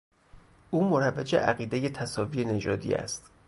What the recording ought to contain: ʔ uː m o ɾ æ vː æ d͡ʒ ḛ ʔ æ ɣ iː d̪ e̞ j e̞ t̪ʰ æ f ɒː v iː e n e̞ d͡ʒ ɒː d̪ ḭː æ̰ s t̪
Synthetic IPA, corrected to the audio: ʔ uː m o ɾ æ vː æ d͡ʒ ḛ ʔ æ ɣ iː d̪ e̞ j e̞ t̪ʰ æ s ɒː v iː e n e̞ d͡ʒ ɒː d̪ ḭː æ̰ s t̪